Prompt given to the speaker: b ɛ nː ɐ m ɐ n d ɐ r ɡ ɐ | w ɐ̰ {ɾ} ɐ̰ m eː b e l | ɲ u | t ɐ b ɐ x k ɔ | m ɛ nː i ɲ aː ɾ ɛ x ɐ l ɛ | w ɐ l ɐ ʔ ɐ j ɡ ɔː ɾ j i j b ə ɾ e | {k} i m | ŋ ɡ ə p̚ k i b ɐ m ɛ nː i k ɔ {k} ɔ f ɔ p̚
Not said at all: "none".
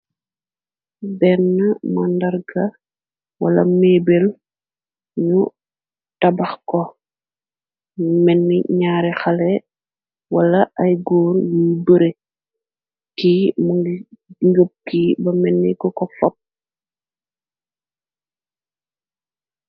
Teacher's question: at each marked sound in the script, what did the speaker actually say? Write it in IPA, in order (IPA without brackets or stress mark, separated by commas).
l, k, k